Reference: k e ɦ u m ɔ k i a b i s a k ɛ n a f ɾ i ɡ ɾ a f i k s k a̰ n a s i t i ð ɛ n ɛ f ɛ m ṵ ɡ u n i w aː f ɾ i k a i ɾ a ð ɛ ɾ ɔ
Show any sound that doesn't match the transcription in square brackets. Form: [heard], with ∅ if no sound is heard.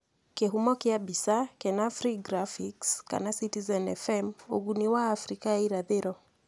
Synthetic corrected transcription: k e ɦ u m ɔ k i a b i s a k ɛ n a f ɾ i ɡ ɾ a f i k s k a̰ n a s i t i [z] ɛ n ɛ f ɛ m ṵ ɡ u n i w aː f ɾ i k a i ɾ a ð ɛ ɾ ɔ